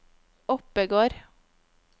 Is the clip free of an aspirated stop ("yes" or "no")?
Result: yes